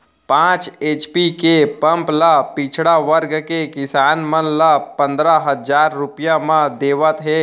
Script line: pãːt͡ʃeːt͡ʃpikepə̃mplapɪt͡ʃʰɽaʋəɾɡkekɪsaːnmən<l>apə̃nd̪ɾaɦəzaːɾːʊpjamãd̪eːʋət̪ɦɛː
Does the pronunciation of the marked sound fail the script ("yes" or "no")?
no